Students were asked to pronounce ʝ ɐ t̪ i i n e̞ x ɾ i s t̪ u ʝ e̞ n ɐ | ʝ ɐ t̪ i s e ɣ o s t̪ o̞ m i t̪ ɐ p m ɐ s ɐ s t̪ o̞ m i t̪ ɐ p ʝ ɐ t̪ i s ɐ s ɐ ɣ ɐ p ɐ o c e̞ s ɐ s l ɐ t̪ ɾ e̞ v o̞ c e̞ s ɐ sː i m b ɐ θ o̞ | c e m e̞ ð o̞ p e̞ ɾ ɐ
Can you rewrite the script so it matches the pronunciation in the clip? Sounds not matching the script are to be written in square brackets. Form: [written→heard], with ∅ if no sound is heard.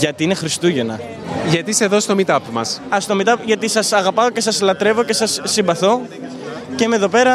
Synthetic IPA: ʝ ɐ t̪ i i n e̞ x ɾ i s t̪ u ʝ e̞ n ɐ | ʝ ɐ t̪ i s e [ɣ→ð] o s t̪ o̞ m i t̪ ɐ p m ɐ s ɐ s t̪ o̞ m i t̪ ɐ p ʝ ɐ t̪ i s ɐ s ɐ ɣ ɐ p ɐ o c e̞ s ɐ s l ɐ t̪ ɾ e̞ v o̞ c e̞ s ɐ sː i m b ɐ θ o̞ | c e m e̞ ð o̞ p e̞ ɾ ɐ